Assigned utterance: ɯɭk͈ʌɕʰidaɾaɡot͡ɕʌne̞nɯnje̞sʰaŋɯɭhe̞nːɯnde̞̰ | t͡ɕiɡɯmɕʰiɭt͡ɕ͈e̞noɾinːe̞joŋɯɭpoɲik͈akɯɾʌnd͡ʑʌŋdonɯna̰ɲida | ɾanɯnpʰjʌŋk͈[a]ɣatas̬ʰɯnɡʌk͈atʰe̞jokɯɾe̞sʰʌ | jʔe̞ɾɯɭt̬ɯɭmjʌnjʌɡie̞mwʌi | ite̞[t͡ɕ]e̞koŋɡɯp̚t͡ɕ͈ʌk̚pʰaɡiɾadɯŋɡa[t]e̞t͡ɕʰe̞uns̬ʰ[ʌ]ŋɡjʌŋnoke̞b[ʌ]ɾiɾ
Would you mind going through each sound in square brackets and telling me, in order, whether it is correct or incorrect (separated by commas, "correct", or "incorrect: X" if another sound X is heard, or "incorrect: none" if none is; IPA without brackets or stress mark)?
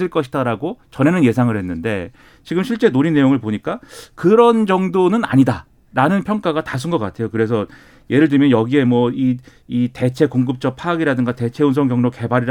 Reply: correct, incorrect: t͡ɕʰ, correct, correct, incorrect: a